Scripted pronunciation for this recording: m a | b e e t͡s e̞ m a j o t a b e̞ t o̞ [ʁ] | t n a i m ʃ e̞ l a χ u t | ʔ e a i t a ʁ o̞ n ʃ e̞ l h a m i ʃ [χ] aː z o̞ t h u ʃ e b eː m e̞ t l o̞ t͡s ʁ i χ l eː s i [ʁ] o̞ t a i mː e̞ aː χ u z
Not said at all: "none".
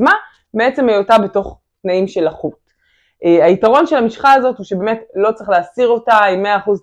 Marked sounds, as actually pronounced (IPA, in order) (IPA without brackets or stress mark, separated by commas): χ, χ, ʁ